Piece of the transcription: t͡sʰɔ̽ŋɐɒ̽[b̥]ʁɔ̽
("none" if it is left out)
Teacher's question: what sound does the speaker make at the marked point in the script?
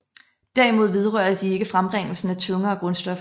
ɡ̥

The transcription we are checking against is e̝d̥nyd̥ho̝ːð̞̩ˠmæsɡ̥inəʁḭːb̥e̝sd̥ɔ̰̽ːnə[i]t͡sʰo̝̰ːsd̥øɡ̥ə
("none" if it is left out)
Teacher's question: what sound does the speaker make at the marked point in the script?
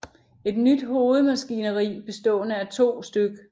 æ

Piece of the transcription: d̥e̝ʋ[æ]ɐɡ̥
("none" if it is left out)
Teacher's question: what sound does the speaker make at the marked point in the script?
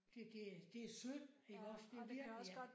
i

